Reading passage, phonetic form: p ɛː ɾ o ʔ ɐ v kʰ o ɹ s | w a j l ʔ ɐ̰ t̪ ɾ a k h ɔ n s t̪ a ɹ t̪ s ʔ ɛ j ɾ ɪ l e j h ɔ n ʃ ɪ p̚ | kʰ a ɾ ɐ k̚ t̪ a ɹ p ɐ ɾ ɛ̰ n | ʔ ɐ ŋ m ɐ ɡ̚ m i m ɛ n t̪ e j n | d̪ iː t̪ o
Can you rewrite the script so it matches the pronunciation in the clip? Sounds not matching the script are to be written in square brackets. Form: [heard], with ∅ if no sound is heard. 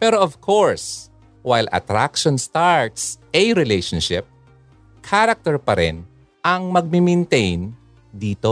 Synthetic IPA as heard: p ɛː ɾ o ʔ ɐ v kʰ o ɹ s | w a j l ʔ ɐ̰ t̪ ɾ a k [ʃ] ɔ n s t̪ a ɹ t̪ s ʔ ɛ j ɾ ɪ l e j [ʃ] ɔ n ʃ ɪ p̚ | kʰ a ɾ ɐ k̚ t̪ [ɛ] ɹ p ɐ ɾ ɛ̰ n | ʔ ɐ ŋ m ɐ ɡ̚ m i m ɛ n t̪ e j n | d̪ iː t̪ o